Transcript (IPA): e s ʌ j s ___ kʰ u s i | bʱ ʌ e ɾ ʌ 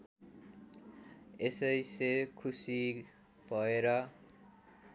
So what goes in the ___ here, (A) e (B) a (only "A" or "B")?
A